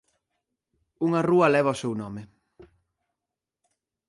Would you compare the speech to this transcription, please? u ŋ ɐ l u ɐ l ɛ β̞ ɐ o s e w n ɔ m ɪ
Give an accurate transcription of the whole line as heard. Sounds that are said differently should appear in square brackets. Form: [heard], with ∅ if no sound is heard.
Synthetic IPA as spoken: u ŋ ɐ [r] u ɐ l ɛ β̞ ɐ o s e w n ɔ m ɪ